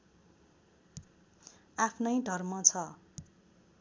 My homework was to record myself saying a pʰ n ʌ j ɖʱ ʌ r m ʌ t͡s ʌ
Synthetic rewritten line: a pʰ n ʌ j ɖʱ ʌ r m ʌ t͡sʰ ʌ